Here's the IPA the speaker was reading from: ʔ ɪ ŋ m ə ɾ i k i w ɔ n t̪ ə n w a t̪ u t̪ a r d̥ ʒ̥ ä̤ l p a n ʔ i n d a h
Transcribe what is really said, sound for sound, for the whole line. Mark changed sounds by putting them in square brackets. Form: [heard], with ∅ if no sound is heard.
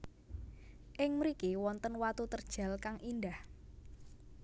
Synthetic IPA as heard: ʔ ɪ ŋ m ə ɾ i k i w ɔ n t̪ ə n w a t̪ u t̪ [ə] r d̥ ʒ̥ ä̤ l [k] a [ŋ] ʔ i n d a h